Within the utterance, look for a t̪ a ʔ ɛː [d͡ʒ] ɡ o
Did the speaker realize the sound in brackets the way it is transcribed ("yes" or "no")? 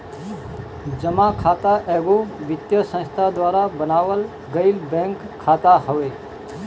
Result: no